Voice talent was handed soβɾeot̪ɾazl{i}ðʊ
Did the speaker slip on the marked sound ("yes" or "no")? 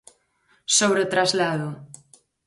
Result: yes